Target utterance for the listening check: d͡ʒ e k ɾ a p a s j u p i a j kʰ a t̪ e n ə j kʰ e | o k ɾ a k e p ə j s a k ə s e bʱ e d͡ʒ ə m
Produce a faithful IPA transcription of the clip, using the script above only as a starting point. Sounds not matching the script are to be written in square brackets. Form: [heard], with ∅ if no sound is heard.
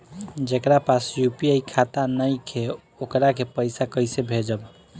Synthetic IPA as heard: d͡ʒ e k ɾ a p a s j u p i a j kʰ a t̪ [a] n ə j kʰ e | o k ɾ a k e p ə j s a k ə s e bʱ e d͡ʒ ə [b]